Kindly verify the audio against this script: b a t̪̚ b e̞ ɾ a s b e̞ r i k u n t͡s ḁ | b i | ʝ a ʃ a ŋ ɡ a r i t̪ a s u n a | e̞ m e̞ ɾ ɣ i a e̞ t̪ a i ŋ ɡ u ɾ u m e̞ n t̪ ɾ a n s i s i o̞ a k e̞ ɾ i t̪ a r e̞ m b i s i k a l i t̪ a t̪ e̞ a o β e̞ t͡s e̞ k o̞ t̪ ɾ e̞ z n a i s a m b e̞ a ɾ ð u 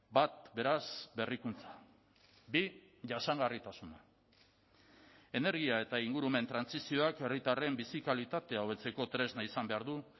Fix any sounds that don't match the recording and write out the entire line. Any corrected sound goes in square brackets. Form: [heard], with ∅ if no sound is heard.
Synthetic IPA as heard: b a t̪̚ b e̞ ɾ a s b e̞ r i k u n t͡s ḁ | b i | ʝ a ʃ a ŋ ɡ a r i t̪ a s u n a | e̞ [n] e̞ ɾ ɣ i a e̞ t̪ a i ŋ ɡ u ɾ u m e̞ n t̪ ɾ a n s i s i o̞ a k e̞ [r] i t̪ a r e̞ m b i s i k a l i t̪ a t̪ e̞ a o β e̞ t͡s e̞ k o̞ t̪ ɾ e̞ z n a i s a m b e̞ a ɾ ð u